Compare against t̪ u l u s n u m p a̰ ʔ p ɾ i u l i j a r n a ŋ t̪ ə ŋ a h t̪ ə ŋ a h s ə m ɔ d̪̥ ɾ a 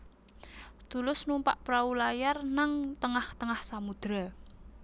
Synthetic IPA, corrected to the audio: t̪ u l ʊ s n u m p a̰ ʔ p ɾ a u l a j a r n a ŋ t̪ ə ŋ a h t̪ ə ŋ a h s a m u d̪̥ ɾ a